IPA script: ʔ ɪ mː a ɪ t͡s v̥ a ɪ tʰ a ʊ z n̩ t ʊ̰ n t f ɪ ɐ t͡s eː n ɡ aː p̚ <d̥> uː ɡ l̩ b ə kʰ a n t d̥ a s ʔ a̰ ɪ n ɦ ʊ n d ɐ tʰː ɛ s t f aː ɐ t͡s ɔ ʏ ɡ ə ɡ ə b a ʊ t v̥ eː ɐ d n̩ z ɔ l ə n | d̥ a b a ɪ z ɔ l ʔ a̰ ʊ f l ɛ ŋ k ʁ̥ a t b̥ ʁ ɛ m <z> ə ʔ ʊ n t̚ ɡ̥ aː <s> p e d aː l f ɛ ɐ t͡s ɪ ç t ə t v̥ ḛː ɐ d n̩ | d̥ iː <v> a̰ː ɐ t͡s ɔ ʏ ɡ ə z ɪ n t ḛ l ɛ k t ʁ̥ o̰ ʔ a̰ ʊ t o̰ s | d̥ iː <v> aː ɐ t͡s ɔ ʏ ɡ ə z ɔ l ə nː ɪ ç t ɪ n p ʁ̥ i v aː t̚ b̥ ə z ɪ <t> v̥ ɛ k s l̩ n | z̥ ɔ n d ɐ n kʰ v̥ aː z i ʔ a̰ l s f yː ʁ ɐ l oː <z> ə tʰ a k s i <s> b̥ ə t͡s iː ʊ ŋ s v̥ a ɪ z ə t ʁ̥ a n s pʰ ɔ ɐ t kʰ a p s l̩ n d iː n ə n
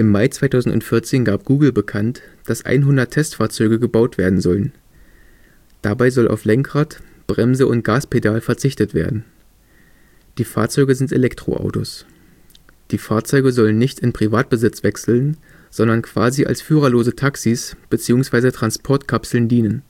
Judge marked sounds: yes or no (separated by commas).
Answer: no, yes, yes, no, no, no, yes, yes